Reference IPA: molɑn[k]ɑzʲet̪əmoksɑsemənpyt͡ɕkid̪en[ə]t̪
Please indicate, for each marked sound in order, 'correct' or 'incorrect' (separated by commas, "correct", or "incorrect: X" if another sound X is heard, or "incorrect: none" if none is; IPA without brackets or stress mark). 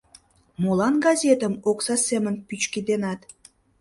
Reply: incorrect: ɡ, incorrect: ɑ